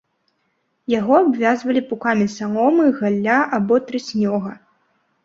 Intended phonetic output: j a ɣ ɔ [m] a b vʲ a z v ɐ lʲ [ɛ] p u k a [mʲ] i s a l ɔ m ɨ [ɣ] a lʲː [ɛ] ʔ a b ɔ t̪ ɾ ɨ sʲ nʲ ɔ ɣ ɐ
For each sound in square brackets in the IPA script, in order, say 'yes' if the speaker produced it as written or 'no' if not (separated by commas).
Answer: no, no, yes, yes, no